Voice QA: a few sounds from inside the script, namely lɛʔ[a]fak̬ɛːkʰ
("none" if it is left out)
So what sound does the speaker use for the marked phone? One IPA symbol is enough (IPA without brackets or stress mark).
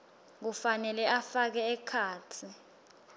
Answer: a